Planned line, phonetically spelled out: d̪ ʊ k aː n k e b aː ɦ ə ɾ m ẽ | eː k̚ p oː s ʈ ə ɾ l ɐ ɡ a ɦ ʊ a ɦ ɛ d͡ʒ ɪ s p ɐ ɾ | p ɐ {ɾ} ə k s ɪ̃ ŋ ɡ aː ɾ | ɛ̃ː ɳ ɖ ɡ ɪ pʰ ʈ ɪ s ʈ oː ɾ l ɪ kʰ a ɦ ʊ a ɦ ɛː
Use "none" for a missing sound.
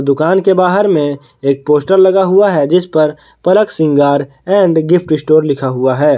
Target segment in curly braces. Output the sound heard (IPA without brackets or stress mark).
l